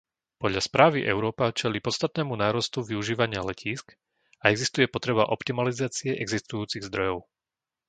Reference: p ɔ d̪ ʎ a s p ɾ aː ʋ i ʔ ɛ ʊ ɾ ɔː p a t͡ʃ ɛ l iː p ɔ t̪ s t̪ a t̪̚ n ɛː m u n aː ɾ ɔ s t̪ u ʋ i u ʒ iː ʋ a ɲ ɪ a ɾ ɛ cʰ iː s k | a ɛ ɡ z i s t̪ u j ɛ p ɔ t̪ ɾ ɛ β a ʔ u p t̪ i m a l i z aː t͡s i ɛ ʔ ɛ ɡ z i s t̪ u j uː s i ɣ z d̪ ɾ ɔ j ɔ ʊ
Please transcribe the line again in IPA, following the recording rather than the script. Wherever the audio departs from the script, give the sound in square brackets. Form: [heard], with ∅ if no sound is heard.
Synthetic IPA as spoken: p ɔ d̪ ʎ a s p ɾ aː ʋ i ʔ ɛ ʊ ɾ ɔː p a t͡ʃ ɛ l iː p ɔ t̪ s t̪ a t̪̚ n ɛː m u n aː ɾ ɔ s t̪ u ʋ i u ʒ iː ʋ a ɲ ɪ a [l] ɛ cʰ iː s k | a ɛ ɡ z i s t̪ u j ɛ p ɔ t̪ ɾ ɛ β a ʔ [ɔ] p t̪ i m a l i z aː t͡s i ɛ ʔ ɛ ɡ z i s t̪ u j uː [t͡s] i ɣ z d̪ ɾ ɔ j ɔ ʊ